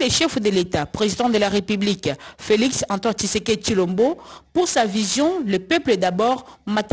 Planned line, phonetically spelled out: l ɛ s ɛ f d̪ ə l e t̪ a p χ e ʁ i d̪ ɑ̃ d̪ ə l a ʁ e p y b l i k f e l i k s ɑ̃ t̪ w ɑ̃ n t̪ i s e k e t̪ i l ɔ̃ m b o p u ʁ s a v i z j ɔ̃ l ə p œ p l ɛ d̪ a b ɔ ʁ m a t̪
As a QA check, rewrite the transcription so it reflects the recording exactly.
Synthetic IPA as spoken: l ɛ ʃ ɛ f d̪ ə l e t̪ a p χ e z i d̪ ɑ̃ d̪ ə l a ʁ e p y b l i k f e l i k s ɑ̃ t̪ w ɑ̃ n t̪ i s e k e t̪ i l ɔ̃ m b o p u ʁ s a v i z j ɔ̃ l ə p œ p l ɛ d̪ a b ɔ ʁ m a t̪